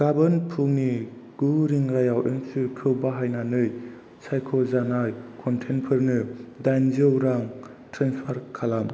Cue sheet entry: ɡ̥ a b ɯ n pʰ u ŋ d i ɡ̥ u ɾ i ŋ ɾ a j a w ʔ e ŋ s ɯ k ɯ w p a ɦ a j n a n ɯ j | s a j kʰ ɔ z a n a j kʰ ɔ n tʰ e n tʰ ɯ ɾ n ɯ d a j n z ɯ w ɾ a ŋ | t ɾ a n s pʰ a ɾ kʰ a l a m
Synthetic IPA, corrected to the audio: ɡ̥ a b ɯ n pʰ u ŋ n i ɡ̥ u ɾ i ŋ ɾ a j a w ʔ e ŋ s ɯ kʰ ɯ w b a ɦ a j n a n ɯ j | s a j kʰ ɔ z a n a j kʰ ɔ n tʰ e n pʰ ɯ ɾ n ɯ d a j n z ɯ w ɾ a ŋ | t ɾ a n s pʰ a ɾ kʰ a l a m

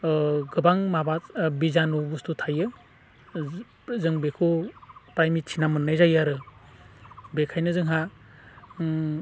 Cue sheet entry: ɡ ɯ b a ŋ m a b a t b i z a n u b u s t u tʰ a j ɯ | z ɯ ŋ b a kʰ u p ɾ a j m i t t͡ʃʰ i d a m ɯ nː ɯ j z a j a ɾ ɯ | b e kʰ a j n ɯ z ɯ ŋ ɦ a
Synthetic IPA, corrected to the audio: ɡ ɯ b a ŋ m a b a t b i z a n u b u s t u tʰ a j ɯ | z ɯ ŋ b e kʰ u p ɾ a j m i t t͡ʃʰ i n a m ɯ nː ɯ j z a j a ɾ ɯ | b e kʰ a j n ɯ z ɯ ŋ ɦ a

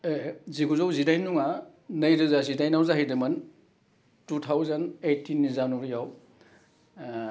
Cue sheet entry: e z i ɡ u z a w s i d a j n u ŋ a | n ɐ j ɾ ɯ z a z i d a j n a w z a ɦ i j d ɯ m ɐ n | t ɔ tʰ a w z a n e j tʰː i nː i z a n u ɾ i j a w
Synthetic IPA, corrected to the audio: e z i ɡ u z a w z i d a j n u ŋ a | n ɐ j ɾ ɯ z a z i d a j n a w z a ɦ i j d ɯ m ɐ n | t u tʰ a w z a n e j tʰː i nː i z a n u ɾ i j a w

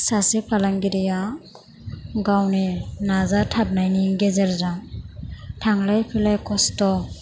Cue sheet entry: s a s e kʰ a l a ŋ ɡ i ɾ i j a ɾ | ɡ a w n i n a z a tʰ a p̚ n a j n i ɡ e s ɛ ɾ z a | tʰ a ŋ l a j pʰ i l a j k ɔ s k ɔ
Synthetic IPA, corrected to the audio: s a s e pʰ a l a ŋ ɡ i ɾ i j a | ɡ a w n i n a z a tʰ a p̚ n a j n i ɡ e z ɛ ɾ z a | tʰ a ŋ l a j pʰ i l a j k ɔ s t ɔ

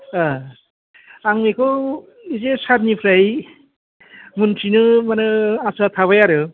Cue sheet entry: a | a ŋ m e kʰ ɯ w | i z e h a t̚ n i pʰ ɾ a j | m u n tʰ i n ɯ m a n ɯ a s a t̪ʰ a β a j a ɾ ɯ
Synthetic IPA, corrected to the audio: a | a ŋ m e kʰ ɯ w | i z e s a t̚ n i pʰ ɾ a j | m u n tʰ i n ɯ m a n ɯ a s a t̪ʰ a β a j a ɾ ɯ

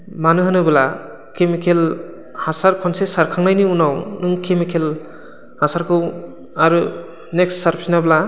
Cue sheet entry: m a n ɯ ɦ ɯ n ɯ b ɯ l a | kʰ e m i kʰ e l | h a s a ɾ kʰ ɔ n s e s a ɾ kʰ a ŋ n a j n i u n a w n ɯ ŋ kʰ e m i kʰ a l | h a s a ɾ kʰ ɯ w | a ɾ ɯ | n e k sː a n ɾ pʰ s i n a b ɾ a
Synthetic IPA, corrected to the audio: m a n ɯ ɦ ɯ n ɯ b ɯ l a | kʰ e m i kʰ e l | h a s a ɾ kʰ ɔ n s e s a ɾ kʰ a ŋ n a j n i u n a w n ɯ ŋ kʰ e m i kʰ e l | h a s a ɾ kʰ ɯ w | a ɾ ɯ | n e k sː a ɾ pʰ s i n a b l a

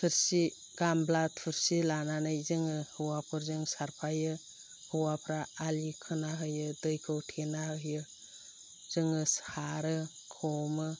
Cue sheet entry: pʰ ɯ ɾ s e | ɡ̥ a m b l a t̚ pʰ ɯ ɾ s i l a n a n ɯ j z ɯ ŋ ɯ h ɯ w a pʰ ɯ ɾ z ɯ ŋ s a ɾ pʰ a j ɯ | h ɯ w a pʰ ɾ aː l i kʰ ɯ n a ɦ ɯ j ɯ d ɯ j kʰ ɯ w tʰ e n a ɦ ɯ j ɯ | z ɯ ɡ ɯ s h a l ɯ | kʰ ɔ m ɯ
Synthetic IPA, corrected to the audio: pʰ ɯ ɾ s i | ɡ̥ a m b l a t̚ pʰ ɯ ɾ s i l a n a n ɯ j z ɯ ŋ ɯ h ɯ w a pʰ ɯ ɾ z ɯ ŋ s a ɾ pʰ a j ɯ | h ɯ w a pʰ ɾ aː l i kʰ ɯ n a ɦ ɯ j ɯ d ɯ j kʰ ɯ w tʰ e n a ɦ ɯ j ɯ | z ɯ ŋ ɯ s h a ɾ ɯ | kʰ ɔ m ɯ

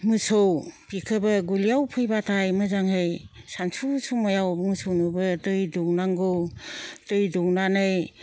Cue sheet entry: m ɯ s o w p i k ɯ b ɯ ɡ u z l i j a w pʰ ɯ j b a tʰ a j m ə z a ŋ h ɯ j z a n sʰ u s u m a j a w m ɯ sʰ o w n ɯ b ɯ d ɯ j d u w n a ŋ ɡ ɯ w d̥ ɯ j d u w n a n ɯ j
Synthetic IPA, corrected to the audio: m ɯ s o w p i kʰ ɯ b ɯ ɡ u l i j a w pʰ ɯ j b a tʰ a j m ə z a ŋ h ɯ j s a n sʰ u s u m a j a w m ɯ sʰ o w n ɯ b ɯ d ɯ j d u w n a ŋ ɡ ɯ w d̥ ɯ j d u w n a n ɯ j

